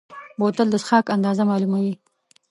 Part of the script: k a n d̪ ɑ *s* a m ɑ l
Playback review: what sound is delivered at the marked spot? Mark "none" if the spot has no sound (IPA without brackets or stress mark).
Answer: z